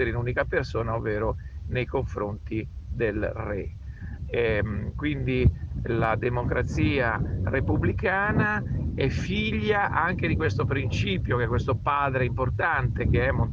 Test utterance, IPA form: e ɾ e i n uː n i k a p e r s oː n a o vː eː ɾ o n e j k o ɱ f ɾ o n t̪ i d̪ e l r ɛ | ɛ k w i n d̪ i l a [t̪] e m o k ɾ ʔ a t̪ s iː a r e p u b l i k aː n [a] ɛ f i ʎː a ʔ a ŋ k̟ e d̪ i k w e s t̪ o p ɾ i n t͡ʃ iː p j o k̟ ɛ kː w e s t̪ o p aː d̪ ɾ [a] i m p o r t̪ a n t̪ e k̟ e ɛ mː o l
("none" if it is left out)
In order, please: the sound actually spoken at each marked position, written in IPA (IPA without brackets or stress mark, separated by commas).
d̪, a, e